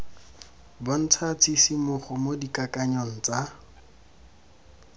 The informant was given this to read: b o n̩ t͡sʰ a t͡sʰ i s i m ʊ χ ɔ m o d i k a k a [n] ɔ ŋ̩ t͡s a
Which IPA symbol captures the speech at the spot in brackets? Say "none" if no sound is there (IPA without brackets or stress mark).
ɲ